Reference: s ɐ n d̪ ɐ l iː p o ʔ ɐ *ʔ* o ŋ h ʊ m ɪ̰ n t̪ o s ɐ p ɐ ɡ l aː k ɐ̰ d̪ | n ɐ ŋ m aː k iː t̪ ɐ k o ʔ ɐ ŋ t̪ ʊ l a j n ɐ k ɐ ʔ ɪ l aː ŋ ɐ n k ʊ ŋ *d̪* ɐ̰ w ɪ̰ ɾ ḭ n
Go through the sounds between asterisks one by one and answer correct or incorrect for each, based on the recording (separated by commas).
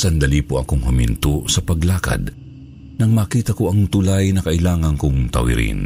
incorrect, incorrect